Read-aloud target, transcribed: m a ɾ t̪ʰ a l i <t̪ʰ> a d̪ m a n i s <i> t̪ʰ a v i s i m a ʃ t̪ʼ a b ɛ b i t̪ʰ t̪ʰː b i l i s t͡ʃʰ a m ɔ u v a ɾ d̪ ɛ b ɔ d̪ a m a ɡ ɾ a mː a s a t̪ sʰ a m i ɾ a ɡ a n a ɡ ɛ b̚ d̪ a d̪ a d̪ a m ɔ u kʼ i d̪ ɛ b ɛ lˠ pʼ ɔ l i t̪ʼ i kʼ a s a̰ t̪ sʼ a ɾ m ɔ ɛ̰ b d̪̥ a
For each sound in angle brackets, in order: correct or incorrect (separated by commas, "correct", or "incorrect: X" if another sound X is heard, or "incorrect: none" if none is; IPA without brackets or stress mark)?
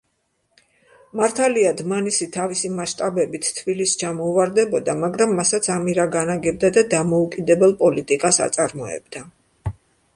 incorrect: none, correct